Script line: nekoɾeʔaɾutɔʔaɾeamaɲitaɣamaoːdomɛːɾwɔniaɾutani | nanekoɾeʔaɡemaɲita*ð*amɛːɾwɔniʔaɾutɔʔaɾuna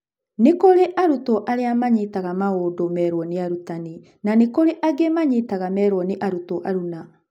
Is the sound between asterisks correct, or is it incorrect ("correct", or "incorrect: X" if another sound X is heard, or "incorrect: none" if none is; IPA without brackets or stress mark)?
incorrect: ɣ